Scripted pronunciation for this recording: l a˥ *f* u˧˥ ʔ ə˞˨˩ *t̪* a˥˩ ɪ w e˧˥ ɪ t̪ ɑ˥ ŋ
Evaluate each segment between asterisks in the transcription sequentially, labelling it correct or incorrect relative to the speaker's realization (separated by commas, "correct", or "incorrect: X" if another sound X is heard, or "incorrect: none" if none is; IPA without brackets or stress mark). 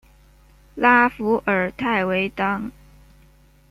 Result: correct, incorrect: t̪ʰ